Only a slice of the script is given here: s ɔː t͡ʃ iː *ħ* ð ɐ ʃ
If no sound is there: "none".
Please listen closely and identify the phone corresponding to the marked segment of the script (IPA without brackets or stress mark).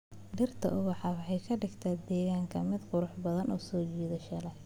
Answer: none